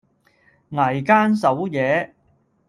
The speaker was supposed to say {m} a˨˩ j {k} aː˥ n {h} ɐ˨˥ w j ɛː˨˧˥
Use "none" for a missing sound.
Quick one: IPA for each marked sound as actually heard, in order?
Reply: ŋ, k, s

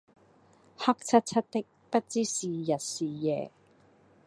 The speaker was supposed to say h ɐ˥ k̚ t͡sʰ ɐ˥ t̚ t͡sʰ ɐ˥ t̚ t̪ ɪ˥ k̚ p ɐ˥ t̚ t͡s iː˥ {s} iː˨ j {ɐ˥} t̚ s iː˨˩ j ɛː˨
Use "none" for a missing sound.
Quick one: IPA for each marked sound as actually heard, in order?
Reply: s, ɐ˨

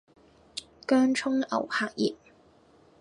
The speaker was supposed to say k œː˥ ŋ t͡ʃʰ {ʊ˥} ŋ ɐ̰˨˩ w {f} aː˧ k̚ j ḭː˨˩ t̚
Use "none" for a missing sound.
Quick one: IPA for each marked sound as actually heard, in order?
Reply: ʊ˥, h

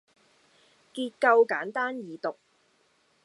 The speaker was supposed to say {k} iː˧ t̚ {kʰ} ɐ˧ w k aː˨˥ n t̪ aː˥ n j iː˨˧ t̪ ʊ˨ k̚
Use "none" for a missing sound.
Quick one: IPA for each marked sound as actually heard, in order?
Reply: k, k

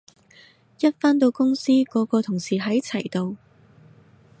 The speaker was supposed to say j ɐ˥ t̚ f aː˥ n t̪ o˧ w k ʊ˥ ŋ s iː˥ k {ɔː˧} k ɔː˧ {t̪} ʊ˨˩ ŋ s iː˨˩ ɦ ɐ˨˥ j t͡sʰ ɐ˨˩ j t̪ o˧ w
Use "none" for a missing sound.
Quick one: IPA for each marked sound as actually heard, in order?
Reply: ɔː˨˧˥, t̪ʰ

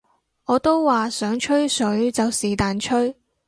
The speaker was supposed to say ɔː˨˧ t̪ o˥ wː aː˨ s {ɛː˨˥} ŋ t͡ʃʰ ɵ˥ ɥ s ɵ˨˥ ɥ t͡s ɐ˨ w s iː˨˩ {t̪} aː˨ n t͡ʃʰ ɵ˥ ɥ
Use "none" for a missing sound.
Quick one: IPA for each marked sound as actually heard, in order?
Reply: œː˨˥, t̪

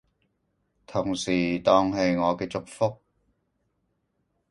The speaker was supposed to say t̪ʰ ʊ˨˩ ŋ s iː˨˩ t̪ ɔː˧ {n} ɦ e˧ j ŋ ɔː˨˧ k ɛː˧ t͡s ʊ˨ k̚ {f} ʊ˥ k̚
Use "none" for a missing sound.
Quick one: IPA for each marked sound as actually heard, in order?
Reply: ŋ, f

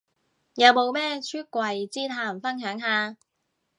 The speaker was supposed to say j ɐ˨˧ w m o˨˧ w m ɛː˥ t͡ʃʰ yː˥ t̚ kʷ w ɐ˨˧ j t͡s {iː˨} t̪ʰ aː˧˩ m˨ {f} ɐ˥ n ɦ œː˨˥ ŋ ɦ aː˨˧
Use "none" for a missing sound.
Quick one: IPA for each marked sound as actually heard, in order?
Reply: iː˥, f

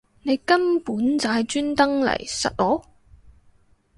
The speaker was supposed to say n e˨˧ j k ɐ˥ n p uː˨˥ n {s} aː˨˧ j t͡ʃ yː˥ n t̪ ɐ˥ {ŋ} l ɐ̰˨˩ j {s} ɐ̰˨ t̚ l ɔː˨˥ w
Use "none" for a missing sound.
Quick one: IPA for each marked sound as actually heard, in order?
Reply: t͡s, ŋ, s

